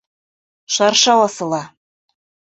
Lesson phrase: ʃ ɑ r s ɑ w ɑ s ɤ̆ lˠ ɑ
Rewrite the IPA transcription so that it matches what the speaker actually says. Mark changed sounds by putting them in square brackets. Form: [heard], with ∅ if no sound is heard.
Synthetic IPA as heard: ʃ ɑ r [ʃ] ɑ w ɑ s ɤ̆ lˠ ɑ